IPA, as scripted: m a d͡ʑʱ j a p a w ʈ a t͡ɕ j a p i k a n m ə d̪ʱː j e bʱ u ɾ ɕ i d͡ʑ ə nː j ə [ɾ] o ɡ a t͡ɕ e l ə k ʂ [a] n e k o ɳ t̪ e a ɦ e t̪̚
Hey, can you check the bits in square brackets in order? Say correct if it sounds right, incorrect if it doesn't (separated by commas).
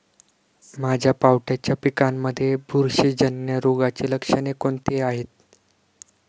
correct, incorrect